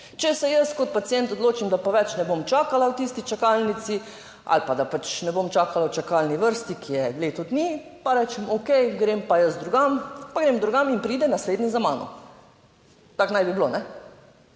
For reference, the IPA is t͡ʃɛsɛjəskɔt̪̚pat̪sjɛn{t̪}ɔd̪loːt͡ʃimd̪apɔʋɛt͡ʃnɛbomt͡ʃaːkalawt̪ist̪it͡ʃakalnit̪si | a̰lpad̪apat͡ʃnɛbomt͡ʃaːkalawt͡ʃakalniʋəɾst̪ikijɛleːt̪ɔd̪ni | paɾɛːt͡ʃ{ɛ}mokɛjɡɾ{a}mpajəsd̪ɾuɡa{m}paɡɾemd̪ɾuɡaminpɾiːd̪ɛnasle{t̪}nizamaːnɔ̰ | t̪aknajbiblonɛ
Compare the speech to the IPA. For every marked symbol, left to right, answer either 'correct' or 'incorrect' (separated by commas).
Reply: correct, correct, incorrect, correct, incorrect